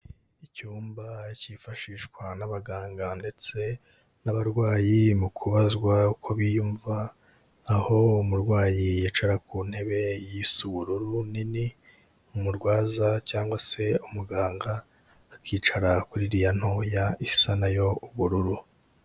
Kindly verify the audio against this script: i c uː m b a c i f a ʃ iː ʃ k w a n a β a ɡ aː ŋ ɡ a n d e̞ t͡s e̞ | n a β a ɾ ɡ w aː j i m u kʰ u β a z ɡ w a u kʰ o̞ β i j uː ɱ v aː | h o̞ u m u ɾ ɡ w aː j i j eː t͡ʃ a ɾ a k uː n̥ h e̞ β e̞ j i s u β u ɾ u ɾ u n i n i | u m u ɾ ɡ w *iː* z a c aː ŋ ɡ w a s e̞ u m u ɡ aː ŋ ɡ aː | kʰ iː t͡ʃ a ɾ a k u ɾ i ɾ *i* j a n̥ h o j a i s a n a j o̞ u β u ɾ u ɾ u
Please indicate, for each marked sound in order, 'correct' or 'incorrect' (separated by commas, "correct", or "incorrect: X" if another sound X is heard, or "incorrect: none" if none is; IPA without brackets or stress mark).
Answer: incorrect: aː, correct